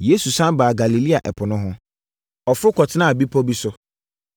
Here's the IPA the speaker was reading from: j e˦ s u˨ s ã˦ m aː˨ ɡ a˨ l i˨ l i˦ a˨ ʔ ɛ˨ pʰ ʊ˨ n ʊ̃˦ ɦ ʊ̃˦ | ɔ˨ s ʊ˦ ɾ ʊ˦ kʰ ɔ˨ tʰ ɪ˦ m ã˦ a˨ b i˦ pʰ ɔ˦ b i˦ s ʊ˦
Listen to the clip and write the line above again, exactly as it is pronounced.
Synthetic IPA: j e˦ s u˨ s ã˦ b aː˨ ɡ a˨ l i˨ l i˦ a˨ ʔ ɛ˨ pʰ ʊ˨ n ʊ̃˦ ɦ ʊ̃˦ | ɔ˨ f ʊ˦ ɾ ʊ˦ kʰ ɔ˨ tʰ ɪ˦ n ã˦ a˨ b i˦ pʰ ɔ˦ b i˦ s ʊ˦